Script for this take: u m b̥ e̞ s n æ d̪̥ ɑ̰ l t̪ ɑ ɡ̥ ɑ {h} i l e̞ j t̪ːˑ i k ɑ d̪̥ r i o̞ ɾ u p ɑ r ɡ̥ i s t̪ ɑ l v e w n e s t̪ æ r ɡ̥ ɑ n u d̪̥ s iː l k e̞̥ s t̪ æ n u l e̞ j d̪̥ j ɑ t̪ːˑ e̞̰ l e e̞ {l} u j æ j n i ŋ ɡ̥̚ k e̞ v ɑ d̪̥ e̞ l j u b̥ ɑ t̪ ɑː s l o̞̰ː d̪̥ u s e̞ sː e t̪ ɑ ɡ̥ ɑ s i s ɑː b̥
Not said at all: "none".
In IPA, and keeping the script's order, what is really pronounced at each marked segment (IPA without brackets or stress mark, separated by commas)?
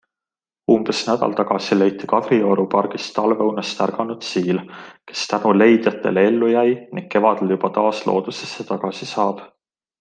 s, lː